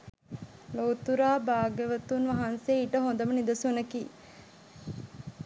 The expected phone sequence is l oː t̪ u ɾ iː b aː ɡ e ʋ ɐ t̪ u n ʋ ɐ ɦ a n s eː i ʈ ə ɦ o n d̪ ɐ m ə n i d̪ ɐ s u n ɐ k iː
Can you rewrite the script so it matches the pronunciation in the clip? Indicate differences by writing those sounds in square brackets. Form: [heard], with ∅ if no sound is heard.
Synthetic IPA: l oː t̪ u ɾ [aː] b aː ɡ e ʋ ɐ t̪ u n ʋ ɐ ɦ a n s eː i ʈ ə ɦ o n d̪ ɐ m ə n i d̪ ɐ s u n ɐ k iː